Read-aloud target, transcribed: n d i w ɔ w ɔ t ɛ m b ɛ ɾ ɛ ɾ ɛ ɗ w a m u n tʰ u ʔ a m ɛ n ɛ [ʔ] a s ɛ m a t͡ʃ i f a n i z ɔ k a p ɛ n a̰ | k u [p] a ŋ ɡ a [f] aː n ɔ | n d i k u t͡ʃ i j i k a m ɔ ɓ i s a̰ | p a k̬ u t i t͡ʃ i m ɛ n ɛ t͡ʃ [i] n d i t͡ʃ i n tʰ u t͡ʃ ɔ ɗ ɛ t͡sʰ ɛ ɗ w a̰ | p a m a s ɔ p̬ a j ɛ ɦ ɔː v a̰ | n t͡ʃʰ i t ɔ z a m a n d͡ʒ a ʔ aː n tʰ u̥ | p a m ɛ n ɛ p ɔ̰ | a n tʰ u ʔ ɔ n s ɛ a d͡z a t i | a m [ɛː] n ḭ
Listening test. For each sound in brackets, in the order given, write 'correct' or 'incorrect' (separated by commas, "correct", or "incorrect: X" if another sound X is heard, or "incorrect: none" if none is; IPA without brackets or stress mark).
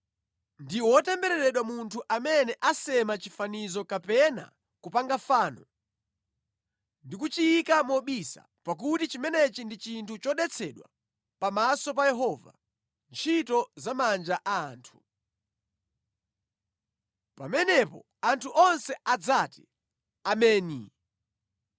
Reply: correct, correct, correct, correct, correct